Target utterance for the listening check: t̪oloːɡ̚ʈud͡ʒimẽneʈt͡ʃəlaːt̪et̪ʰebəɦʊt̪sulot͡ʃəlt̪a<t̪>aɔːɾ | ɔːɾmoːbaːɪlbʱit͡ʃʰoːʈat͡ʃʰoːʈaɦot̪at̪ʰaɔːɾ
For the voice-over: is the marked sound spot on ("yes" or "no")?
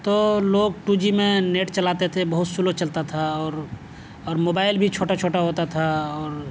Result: no